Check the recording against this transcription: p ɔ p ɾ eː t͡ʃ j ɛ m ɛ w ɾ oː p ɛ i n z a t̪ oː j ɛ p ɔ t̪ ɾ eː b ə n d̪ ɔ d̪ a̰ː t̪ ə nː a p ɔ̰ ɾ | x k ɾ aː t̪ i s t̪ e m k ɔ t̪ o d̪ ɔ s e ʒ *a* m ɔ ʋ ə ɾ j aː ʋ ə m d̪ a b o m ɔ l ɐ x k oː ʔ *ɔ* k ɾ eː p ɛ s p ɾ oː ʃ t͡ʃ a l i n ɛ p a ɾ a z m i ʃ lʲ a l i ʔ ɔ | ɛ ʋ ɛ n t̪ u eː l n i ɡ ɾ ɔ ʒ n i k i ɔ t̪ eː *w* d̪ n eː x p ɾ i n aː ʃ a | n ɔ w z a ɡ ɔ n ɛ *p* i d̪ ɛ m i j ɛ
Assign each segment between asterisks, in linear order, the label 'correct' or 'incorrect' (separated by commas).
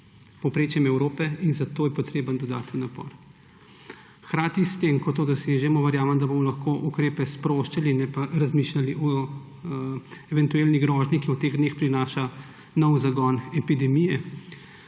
incorrect, incorrect, incorrect, correct